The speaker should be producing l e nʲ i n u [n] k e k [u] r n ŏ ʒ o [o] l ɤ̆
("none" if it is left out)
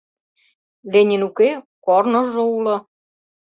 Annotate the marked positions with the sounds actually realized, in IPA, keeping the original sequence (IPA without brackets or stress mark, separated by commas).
none, o, u